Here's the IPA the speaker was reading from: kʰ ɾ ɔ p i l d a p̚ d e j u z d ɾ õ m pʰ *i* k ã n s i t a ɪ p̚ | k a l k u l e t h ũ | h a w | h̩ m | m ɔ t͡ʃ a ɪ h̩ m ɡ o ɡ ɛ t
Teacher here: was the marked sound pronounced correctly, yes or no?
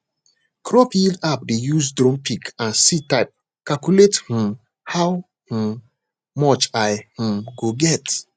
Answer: yes